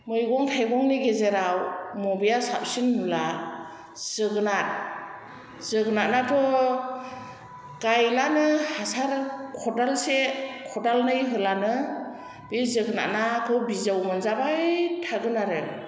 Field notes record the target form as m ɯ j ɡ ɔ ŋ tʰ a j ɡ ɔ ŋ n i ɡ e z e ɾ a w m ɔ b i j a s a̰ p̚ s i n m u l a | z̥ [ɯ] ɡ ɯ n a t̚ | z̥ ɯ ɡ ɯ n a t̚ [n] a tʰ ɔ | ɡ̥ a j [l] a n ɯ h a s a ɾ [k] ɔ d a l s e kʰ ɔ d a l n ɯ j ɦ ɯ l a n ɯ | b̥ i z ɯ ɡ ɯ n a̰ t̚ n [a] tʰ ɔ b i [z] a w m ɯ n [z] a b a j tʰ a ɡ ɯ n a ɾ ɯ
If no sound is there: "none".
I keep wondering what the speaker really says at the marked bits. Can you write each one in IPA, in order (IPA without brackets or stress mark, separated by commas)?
ɯ, n, l, kʰ, a, z, z